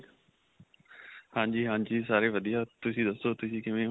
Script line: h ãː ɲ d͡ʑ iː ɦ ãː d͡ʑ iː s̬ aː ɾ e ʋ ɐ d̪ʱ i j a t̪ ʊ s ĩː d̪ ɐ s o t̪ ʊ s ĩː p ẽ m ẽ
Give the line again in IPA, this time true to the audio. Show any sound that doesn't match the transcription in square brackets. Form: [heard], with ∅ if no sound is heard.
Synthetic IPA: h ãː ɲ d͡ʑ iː ɦ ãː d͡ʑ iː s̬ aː ɾ e ʋ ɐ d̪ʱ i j a t̪ ʊ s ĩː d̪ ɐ s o t̪ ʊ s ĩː [k] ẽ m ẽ